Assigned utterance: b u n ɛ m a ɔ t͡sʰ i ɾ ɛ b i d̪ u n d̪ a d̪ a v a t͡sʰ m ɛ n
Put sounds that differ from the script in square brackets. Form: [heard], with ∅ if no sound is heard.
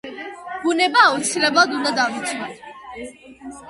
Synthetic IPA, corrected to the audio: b u n ɛ [b] a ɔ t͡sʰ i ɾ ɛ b [a] d̪ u n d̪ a d̪ a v [i] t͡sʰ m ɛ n